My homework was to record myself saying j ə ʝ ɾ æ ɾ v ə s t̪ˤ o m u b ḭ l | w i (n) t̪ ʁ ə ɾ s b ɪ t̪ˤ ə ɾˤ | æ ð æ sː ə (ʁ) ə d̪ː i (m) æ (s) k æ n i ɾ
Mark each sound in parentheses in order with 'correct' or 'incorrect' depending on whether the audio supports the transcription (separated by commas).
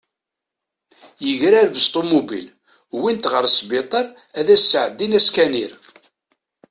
correct, incorrect, incorrect, correct